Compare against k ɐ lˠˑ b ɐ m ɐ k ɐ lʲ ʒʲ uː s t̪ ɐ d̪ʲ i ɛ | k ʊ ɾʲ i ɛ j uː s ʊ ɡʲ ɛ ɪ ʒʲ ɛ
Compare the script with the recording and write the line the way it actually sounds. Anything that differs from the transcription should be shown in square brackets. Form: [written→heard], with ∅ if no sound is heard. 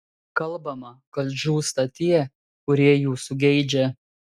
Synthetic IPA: k ɐ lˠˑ b ɐ m ɐ k ɐ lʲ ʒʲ uː s t̪ ɐ [d̪ʲ→t̪ʲ] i ɛ | k ʊ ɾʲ i ɛ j uː s ʊ ɡʲ ɛ ɪ [ʒʲ→d͡ʒʲ] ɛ